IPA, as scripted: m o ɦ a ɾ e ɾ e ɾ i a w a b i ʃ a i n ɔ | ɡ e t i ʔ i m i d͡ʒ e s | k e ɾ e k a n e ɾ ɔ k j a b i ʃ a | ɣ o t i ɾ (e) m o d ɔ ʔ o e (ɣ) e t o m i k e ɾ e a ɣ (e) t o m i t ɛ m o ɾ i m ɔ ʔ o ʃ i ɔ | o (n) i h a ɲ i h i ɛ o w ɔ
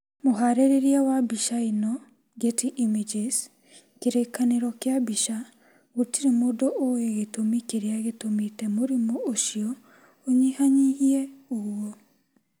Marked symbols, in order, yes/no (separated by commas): yes, yes, yes, no